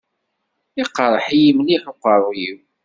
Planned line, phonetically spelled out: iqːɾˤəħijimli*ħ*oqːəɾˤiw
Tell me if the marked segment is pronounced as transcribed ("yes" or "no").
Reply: yes